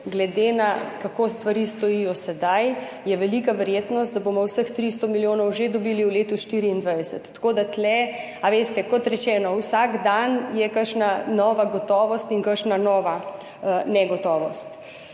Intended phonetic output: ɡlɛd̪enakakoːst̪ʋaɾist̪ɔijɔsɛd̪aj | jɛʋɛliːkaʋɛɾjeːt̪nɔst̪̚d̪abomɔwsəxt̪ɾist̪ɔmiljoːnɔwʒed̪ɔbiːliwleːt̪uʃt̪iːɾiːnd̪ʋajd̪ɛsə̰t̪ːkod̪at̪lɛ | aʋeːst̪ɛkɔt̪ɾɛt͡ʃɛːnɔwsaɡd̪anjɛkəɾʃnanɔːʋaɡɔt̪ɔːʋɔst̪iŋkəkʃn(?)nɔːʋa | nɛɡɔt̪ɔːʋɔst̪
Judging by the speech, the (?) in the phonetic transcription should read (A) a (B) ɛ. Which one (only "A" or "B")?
A